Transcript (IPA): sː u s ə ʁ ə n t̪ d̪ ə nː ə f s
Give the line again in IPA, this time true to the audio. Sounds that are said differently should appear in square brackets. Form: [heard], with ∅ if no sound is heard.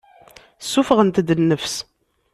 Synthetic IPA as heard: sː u [f] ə ʁ ə n t̪ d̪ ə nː ə f s